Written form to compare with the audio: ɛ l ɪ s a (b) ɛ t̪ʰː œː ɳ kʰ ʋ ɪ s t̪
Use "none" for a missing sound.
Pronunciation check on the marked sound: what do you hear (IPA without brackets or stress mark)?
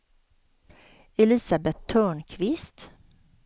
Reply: b